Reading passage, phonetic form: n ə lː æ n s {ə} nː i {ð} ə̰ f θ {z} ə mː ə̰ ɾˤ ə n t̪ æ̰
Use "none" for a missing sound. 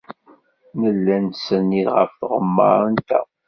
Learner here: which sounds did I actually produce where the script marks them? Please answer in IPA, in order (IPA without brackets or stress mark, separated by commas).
ə, ʁ, ʁ